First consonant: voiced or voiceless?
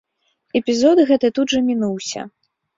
voiceless